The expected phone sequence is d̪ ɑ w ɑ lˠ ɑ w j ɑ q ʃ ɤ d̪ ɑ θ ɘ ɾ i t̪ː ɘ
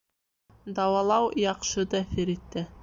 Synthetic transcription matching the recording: d̪ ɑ w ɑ lˠ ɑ w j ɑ q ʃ ɤ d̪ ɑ θ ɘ ɾ i t̪ː ɘ